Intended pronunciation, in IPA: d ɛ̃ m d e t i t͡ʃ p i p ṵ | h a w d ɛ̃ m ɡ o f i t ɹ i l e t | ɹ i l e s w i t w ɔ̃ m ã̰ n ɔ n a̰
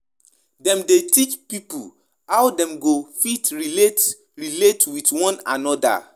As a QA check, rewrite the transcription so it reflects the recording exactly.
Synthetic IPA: d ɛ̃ m d e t i t͡ʃ p i p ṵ | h a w d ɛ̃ m ɡ o f i t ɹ i l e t | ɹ i l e t w i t w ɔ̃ n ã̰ n ɔ d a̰